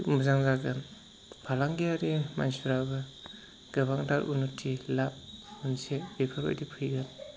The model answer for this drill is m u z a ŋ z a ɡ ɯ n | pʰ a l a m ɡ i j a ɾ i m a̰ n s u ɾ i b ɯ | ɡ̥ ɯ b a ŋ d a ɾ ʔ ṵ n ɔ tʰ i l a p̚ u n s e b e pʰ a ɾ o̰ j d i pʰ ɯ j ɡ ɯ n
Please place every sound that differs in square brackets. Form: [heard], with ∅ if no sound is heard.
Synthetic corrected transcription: m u z a ŋ z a ɡ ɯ n | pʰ a l a [ŋ] ɡ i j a ɾ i m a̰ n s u ɾ [a] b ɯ | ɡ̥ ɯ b a ŋ d a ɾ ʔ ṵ n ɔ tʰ i l a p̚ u n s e b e pʰ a ɾ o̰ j d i pʰ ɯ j ɡ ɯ n